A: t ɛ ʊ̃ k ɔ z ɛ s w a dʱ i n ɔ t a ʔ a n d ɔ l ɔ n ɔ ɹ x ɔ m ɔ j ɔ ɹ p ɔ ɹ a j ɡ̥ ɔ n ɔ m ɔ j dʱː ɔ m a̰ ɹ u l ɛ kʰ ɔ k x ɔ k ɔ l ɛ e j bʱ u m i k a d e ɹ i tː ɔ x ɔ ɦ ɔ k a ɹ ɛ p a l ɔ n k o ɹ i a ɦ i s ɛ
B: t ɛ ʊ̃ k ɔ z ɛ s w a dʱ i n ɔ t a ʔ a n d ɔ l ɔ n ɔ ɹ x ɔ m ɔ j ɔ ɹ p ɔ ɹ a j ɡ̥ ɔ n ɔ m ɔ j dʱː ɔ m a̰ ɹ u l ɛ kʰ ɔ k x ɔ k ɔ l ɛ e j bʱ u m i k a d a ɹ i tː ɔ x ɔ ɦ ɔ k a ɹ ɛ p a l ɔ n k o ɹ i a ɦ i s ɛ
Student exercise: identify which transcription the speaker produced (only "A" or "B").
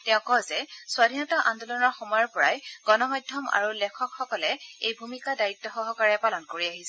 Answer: B